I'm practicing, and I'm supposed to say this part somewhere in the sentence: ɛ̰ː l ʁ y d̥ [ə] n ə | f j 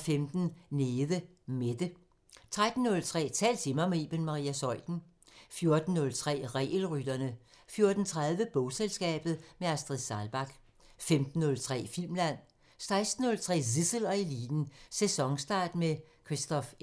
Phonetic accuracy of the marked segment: incorrect: ɐ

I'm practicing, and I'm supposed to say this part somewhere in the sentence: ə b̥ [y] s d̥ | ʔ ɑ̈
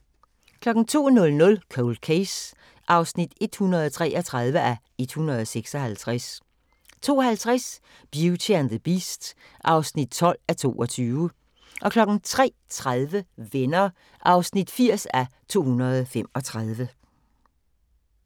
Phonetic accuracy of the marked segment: incorrect: i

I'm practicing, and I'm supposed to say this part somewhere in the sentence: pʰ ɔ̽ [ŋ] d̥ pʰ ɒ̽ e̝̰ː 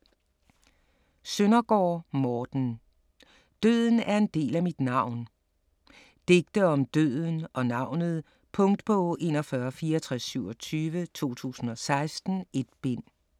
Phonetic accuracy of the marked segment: correct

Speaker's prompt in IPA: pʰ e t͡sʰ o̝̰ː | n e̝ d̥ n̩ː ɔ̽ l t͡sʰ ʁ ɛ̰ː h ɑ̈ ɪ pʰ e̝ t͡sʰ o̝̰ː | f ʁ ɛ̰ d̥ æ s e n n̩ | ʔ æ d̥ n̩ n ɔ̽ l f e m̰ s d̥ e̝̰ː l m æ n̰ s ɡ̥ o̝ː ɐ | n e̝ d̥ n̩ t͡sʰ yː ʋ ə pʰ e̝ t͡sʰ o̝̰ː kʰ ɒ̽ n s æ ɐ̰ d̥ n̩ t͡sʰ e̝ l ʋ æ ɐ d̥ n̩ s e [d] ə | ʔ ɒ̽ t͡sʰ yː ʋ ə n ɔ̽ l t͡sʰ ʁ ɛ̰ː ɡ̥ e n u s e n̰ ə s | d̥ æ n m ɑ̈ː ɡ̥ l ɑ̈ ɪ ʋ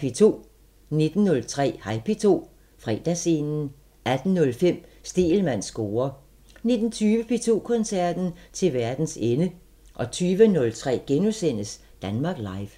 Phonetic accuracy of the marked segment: incorrect: n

